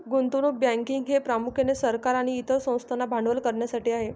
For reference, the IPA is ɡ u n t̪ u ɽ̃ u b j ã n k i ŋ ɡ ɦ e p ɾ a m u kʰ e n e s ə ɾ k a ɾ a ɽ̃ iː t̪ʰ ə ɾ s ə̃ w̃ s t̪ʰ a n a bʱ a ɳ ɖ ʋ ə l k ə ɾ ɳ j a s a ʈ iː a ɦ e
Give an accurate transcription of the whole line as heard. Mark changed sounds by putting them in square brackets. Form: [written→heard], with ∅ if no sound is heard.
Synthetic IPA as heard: ɡ u n t̪ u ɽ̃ u b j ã [n→ŋ] k i ŋ ɡ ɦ e p ɾ a m u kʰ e n e s ə ɾ k a ɾ a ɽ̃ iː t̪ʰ ə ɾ s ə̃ w̃ s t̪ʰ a n a bʱ a ɳ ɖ ʋ ə l k ə ɾ ɳ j a s a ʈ iː a ɦ e